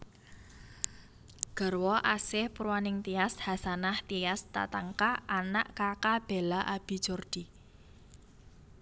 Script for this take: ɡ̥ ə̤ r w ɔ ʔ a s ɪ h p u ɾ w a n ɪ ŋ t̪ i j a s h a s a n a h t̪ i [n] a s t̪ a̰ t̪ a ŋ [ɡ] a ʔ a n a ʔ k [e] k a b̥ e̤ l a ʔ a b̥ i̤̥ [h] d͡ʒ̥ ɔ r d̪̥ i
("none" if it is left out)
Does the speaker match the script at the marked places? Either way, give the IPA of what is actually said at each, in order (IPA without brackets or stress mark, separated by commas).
none, k, a, none